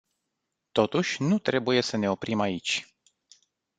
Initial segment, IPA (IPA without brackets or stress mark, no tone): t̪